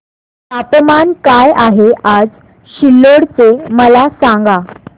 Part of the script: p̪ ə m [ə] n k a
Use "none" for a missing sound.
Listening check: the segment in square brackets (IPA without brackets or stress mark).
a